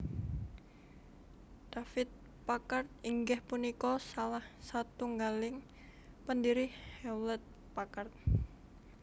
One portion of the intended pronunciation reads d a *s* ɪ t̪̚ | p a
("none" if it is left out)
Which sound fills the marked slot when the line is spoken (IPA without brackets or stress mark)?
f